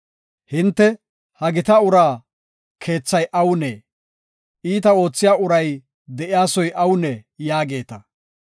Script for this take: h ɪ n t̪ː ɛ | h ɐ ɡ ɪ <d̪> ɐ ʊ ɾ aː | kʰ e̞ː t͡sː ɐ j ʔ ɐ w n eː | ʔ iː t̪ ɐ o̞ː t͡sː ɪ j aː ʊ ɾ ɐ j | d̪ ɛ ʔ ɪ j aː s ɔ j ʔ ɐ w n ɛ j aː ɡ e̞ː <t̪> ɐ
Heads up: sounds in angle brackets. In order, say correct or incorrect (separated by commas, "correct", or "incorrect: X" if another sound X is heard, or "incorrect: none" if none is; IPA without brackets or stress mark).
incorrect: t̪, correct